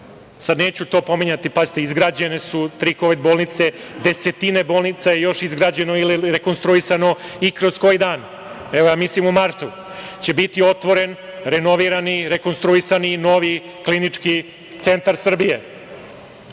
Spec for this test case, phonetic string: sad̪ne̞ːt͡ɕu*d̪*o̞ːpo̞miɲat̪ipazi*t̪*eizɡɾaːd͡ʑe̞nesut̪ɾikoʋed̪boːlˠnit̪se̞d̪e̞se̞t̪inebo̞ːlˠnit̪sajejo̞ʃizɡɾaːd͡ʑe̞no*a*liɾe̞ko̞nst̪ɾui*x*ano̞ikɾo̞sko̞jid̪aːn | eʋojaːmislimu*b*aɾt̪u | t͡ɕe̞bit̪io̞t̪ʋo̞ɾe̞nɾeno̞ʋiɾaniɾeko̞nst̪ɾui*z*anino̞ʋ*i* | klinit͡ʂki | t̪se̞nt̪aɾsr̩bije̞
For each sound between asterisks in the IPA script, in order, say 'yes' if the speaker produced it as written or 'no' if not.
no, yes, no, no, no, no, yes

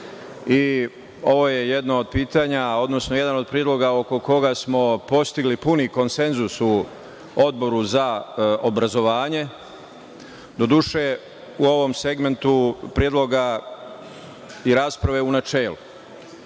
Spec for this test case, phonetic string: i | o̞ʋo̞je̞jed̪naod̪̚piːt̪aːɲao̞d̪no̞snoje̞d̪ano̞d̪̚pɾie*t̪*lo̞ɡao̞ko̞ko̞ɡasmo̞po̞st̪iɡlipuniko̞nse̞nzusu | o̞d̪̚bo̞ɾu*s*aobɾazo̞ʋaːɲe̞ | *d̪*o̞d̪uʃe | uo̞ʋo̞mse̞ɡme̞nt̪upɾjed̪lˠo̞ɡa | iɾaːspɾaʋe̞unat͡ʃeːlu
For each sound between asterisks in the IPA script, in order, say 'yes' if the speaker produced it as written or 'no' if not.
no, no, yes

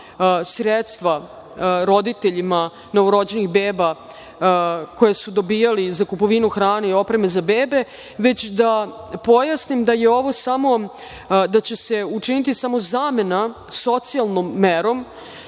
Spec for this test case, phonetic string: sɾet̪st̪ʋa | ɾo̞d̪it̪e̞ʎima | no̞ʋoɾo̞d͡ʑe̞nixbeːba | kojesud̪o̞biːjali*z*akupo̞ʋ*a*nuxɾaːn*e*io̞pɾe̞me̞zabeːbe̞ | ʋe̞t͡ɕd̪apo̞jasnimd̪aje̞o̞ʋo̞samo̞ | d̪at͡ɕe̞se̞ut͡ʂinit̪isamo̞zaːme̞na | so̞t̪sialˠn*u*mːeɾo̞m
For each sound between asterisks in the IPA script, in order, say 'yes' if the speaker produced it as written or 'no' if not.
yes, no, yes, no

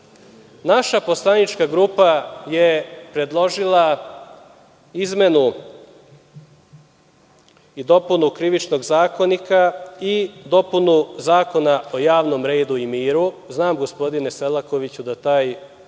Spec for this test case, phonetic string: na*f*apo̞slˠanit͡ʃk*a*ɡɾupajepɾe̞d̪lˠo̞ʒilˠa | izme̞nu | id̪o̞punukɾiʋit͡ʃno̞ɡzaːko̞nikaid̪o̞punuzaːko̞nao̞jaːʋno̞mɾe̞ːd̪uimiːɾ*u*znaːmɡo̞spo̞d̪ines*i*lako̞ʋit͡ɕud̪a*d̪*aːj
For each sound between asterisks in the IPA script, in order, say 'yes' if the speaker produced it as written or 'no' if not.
no, yes, yes, no, no

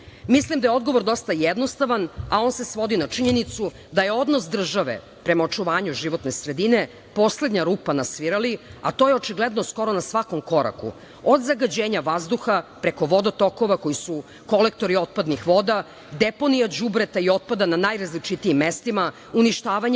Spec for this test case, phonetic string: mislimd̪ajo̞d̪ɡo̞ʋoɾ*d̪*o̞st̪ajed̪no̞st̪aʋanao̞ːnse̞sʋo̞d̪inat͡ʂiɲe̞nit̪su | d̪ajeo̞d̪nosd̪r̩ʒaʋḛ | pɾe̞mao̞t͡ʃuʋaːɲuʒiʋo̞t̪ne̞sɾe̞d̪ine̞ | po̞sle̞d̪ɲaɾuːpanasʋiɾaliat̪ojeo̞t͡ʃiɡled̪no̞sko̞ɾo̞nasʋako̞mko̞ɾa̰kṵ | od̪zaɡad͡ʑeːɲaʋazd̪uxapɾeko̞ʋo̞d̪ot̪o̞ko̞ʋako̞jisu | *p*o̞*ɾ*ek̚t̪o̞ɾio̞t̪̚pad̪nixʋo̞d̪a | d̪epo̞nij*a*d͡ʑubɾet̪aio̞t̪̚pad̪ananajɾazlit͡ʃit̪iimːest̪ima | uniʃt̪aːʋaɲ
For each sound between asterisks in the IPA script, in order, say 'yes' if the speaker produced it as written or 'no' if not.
yes, no, no, yes

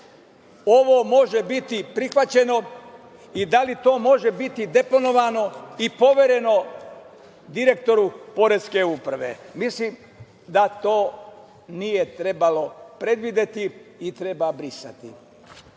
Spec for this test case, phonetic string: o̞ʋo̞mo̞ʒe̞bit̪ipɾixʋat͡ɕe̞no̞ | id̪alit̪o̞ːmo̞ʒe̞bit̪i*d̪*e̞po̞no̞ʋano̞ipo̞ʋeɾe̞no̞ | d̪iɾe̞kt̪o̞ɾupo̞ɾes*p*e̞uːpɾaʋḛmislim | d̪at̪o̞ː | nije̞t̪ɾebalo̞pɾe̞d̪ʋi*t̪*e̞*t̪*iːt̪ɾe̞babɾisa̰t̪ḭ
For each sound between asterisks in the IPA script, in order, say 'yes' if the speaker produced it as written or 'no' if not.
yes, no, no, yes

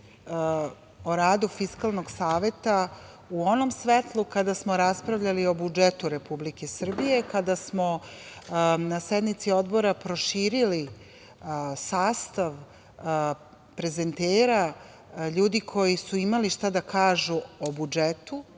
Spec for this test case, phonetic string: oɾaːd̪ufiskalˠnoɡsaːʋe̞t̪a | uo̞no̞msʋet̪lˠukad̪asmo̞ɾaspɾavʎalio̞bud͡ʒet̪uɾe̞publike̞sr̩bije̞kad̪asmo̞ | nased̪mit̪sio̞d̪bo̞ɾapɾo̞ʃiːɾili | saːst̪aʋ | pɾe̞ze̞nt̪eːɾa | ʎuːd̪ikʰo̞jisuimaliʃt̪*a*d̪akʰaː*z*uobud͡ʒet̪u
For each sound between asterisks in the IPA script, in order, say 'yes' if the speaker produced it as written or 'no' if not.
yes, no

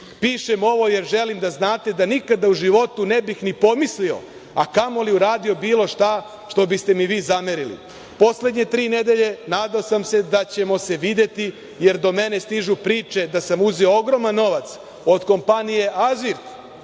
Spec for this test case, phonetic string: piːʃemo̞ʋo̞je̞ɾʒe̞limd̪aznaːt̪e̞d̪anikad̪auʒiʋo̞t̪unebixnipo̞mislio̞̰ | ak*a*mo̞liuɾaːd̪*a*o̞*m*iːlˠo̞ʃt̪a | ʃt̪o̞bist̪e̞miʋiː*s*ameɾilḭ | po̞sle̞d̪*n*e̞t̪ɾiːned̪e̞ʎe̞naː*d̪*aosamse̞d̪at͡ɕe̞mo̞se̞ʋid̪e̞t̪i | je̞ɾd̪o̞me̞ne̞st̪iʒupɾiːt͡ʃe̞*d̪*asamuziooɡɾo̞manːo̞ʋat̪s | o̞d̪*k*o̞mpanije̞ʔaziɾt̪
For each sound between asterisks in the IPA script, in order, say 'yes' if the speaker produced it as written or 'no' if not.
yes, no, no, no, no, yes, yes, yes

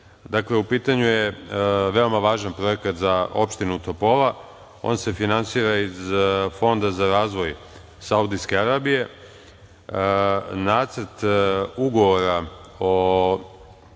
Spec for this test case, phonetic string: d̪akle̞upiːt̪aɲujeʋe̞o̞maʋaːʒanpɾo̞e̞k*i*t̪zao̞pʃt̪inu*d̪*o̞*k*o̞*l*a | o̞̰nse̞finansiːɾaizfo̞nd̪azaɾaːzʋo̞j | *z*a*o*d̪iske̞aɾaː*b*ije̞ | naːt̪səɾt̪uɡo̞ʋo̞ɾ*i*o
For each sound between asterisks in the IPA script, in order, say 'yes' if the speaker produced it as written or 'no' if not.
no, no, no, yes, no, no, yes, no

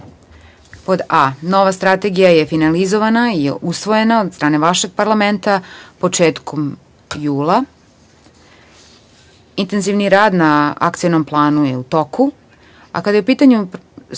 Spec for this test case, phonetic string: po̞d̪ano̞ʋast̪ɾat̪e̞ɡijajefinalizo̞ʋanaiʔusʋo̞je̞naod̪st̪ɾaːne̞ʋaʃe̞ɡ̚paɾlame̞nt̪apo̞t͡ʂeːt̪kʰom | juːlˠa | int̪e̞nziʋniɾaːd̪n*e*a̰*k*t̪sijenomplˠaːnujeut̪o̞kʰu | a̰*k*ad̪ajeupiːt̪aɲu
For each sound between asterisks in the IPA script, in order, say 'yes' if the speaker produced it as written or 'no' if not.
no, yes, yes

